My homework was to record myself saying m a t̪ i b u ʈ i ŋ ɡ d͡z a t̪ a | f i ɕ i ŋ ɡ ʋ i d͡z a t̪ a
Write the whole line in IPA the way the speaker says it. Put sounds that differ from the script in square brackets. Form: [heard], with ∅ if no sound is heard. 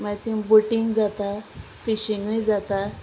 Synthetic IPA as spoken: m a t̪ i b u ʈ i ŋ ɡ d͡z a t̪ a | f i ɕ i ŋ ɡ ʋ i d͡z a t̪ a